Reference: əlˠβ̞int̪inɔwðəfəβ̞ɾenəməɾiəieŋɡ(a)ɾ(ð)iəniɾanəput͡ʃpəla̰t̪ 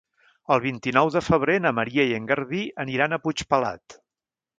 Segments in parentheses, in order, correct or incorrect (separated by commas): incorrect, correct